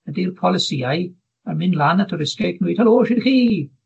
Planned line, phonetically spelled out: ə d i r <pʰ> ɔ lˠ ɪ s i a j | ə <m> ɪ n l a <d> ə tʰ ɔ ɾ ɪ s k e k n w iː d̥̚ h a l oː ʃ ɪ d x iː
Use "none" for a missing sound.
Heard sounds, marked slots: pʰ, m, n

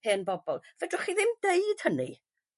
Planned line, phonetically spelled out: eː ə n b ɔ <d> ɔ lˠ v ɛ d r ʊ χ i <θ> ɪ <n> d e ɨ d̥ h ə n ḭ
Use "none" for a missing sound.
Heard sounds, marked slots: b, ð, m

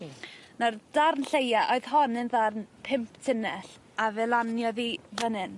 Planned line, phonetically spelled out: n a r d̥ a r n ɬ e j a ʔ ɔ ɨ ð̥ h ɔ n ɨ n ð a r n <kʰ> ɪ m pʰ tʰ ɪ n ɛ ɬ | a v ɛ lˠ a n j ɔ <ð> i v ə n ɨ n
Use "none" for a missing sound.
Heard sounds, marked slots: pʰ, ð

